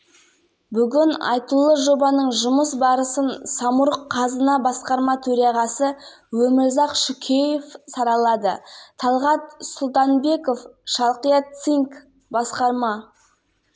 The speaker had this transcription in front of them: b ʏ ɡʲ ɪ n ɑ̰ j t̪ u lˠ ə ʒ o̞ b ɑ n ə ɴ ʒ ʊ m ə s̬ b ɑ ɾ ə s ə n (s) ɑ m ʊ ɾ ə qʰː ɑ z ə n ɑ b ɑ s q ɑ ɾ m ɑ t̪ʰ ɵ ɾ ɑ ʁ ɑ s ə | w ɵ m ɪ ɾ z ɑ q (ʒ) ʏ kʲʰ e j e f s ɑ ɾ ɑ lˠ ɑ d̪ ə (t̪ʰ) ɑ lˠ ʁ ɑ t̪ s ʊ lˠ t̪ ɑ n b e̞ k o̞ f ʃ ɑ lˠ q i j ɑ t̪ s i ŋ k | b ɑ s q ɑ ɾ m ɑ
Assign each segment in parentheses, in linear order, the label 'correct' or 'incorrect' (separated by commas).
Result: correct, incorrect, correct